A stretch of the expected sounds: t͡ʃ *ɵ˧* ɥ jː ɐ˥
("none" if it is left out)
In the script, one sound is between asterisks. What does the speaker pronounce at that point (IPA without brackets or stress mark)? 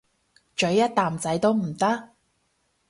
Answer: ɵ˨˥